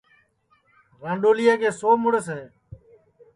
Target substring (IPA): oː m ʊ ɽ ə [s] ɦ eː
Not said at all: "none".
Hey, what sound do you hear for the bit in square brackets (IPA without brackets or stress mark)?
s